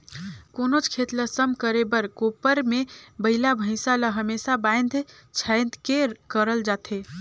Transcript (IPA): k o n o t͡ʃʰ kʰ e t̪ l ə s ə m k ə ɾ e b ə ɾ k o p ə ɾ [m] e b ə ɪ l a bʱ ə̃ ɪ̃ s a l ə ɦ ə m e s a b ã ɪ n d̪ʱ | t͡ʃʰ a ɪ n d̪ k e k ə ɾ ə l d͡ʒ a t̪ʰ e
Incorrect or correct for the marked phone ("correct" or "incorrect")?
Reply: correct